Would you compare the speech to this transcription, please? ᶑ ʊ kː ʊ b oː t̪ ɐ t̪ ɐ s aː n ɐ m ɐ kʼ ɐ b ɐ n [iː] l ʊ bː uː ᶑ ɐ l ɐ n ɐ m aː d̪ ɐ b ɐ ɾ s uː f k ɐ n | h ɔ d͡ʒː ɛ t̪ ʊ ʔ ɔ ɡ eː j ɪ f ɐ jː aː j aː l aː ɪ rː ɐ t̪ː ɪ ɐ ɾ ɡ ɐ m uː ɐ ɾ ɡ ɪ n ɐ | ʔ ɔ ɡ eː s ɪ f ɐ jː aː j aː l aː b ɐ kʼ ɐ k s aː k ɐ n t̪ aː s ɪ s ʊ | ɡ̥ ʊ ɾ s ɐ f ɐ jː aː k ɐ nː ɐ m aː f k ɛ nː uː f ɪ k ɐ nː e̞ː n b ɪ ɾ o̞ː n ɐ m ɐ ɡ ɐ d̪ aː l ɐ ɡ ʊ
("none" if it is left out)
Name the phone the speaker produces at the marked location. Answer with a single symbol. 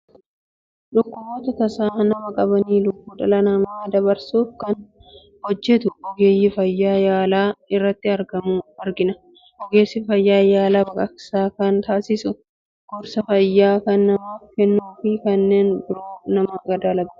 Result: iː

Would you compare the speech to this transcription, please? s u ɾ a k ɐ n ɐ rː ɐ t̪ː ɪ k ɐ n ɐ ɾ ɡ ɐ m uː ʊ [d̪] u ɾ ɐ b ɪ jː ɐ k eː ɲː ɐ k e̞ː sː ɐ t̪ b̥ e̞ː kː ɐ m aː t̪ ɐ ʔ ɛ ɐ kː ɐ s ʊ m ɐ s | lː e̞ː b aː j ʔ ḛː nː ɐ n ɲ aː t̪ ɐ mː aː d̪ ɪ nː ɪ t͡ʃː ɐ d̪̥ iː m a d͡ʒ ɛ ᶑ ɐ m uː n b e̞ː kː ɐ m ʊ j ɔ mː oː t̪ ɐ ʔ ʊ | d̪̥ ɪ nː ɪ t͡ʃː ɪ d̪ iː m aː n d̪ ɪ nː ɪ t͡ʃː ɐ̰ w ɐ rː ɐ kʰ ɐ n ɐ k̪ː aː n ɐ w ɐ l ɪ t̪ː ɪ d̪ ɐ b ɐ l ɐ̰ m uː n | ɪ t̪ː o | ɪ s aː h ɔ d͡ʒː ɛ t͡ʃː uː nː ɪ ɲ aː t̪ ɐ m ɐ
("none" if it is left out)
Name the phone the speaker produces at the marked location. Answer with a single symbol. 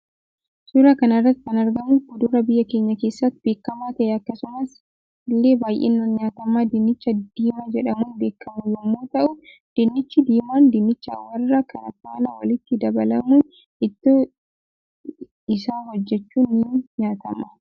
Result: d̪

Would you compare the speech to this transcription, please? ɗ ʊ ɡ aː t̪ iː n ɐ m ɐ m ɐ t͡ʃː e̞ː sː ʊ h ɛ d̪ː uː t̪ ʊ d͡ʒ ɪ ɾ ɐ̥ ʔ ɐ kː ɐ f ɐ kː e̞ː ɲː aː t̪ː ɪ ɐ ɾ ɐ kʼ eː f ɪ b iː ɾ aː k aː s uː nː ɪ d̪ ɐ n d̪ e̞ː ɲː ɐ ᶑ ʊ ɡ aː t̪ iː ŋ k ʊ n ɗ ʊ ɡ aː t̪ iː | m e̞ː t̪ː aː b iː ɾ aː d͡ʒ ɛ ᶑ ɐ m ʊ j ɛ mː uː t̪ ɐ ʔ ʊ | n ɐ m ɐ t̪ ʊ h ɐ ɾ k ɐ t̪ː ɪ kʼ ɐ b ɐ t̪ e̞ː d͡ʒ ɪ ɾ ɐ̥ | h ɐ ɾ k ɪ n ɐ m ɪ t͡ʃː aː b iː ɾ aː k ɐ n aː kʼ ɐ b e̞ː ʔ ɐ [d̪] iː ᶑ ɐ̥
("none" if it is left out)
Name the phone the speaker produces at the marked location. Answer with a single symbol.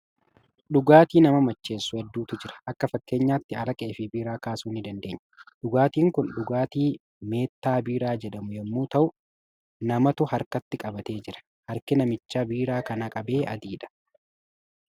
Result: d̪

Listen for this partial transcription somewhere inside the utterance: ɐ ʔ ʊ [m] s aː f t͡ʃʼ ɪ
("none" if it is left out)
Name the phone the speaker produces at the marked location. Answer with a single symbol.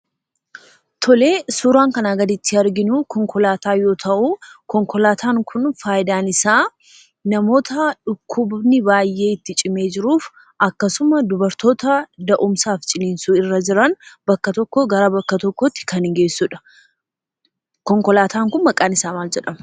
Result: m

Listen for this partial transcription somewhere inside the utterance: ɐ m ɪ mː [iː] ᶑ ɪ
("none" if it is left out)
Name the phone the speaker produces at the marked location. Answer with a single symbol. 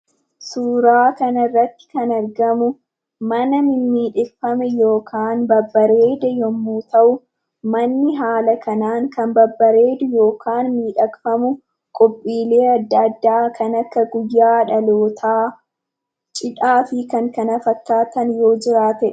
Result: iː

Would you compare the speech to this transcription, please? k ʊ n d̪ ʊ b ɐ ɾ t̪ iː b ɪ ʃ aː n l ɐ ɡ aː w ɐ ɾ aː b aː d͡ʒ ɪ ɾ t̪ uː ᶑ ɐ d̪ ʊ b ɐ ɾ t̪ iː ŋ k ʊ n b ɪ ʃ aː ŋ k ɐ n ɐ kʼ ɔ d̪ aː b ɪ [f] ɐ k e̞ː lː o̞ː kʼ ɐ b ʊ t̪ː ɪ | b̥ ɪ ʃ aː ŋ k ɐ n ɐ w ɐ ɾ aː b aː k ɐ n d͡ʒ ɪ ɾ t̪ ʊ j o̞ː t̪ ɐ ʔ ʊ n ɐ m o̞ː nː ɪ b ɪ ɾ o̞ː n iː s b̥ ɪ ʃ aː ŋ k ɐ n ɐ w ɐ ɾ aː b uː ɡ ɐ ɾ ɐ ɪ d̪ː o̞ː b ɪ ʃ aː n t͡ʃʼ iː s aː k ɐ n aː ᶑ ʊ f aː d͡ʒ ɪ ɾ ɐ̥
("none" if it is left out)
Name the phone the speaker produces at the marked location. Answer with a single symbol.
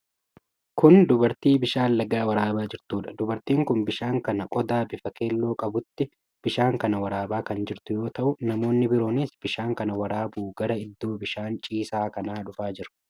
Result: f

